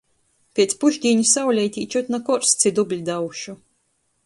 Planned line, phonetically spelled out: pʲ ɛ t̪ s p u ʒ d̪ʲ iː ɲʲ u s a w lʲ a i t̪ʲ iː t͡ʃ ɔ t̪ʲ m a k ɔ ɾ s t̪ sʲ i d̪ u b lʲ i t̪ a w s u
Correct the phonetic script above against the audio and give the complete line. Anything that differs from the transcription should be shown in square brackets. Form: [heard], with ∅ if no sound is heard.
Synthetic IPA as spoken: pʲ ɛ t̪ s p u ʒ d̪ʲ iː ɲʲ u s a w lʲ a [j] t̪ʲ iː t͡ʃ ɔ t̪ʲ [n] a k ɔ ɾ s t̪ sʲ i d̪ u b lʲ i [d̪] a w [ʃ] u